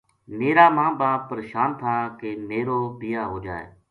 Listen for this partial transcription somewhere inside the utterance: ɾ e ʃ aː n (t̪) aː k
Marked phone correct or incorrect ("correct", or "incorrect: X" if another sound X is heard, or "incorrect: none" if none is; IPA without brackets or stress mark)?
incorrect: t̪ʰ